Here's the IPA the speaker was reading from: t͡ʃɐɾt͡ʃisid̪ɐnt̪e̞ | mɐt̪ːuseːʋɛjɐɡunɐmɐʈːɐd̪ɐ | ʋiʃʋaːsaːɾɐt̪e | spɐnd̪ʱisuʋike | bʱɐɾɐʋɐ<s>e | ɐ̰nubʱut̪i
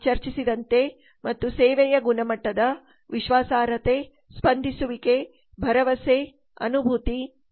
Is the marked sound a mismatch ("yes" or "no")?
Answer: no